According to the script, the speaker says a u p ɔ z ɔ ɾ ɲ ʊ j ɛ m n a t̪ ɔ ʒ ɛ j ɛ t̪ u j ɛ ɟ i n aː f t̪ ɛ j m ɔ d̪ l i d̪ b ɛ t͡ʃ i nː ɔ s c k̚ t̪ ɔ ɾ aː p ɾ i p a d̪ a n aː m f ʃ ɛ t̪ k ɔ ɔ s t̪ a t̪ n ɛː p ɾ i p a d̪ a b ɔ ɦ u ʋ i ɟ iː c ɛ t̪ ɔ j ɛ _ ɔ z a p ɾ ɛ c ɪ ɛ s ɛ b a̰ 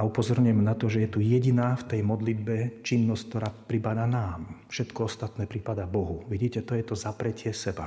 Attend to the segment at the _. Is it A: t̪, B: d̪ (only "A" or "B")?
A